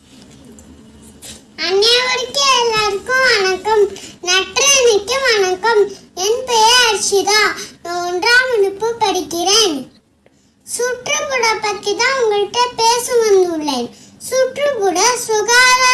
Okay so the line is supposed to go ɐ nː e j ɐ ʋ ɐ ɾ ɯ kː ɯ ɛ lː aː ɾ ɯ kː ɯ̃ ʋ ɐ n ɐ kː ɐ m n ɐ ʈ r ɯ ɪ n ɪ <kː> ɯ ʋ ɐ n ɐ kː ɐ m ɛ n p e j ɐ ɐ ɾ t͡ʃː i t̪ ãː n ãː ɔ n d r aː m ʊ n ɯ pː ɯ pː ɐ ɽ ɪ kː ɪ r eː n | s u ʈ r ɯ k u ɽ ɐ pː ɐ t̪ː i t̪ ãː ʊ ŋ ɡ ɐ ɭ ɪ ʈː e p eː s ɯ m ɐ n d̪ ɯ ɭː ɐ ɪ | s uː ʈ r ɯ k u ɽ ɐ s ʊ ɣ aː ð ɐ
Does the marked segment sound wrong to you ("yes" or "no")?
no